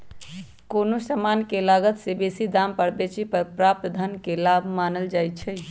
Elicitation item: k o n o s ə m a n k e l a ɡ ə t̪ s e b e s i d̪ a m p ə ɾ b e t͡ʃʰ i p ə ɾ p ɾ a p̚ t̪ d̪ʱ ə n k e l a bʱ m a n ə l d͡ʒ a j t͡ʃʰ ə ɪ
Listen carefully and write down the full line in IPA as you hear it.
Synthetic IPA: k o n o s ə m a n k e l a ɡ ə t̪ s e b e s i d̪ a m p ə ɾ b e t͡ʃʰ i p ə ɾ p ɾ a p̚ t̪ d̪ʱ ə n k e l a bʱ m a n ə l d͡ʒ a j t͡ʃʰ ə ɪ